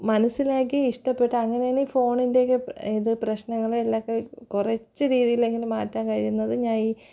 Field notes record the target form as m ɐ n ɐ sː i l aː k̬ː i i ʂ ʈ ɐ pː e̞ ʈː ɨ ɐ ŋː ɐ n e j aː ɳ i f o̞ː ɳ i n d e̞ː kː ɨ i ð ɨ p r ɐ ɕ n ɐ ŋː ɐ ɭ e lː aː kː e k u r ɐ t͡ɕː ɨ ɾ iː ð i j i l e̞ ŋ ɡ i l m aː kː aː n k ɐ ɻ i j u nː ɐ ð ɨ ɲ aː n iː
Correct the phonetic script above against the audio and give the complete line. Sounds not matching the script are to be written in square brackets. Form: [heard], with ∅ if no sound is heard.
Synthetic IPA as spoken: m ɐ n ɐ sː i l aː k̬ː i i ʂ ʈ ɐ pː e̞ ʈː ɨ ɐ ŋː ɐ n e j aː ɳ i f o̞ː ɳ i n d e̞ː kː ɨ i ð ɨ p r ɐ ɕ n ɐ ŋː ɐ ɭ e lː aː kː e k u r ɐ t͡ɕː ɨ ɾ iː ð i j i l e̞ ŋ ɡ i l m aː [tː] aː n k ɐ ɻ i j u nː ɐ ð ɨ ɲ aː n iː